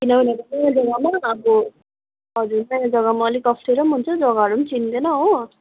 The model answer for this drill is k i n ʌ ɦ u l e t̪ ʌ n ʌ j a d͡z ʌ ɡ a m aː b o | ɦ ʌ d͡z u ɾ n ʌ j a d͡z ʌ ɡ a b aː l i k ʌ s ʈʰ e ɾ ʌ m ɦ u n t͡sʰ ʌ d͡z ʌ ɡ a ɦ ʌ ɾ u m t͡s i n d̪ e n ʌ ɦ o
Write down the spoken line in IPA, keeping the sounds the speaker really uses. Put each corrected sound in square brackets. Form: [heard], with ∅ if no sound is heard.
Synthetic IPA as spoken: k i n ʌ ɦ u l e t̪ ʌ n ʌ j a d͡z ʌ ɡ a m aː b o | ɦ ʌ d͡z u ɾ n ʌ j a d͡z ʌ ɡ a [m] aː l i k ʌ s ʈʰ e ɾ ʌ m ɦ u n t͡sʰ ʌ d͡z ʌ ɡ a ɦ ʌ ɾ u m t͡s i n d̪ e n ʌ ɦ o

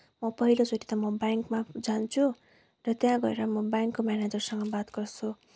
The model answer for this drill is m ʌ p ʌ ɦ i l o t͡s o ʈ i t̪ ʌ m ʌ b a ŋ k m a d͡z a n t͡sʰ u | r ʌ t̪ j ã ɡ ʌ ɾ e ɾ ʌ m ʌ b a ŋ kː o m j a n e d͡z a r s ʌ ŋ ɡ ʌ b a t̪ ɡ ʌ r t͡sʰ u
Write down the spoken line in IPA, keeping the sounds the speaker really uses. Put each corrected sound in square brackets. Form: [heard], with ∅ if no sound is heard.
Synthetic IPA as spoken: m ʌ p ʌ ɦ i l o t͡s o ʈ i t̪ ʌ m ʌ b a ŋ k m a d͡z a n t͡sʰ u | r ʌ t̪ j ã ɡ ʌ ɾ e ɾ ʌ m ʌ b a ŋ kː o m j a n e d͡z [ʌ] r s ʌ ŋ ɡ ʌ b a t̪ ɡ ʌ r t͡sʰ u

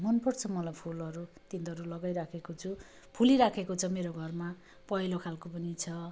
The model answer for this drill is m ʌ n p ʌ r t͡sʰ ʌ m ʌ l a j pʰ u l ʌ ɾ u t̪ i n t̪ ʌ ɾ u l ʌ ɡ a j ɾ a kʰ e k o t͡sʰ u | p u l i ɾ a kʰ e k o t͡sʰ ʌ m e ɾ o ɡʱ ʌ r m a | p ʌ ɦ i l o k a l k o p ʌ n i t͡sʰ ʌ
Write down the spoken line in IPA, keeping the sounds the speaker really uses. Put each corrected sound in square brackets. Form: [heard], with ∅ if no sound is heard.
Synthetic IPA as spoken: m ʌ n p ʌ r t͡sʰ ʌ m ʌ l a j pʰ u l ʌ ɾ u t̪ i n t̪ ʌ ɾ u l ʌ ɡ a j ɾ a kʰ e k o t͡sʰ u | [pʰ] u l i ɾ a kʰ e k o t͡sʰ ʌ m e ɾ o ɡʱ ʌ r m a | p ʌ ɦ i l o [kʰ] a l k o p ʌ n i t͡sʰ ʌ

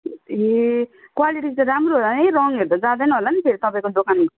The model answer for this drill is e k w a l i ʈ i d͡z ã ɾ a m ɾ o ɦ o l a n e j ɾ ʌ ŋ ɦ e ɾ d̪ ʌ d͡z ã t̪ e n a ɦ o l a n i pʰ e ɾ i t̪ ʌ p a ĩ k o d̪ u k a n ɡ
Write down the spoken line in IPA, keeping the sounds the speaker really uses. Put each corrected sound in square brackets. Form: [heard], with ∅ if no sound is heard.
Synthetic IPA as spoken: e k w a l i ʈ i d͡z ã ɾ a m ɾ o ɦ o l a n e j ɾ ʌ ŋ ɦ e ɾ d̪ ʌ d͡z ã [d̪] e n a ɦ o l a n i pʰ e ɾ i t̪ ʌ p a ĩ k o d̪ [o] k a n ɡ

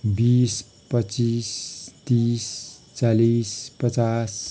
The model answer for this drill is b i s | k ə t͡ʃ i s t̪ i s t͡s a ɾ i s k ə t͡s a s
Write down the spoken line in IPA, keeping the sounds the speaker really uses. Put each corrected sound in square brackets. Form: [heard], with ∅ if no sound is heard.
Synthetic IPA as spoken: b i s | [p] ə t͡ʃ i s t̪ i s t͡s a [l] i s [p] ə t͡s a s

